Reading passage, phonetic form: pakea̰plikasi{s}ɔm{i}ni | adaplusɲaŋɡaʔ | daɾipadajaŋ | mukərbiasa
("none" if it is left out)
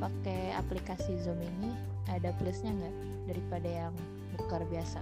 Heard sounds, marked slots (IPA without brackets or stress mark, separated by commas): z, i